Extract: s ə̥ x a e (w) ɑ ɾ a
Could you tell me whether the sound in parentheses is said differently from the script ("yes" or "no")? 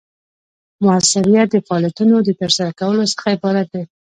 yes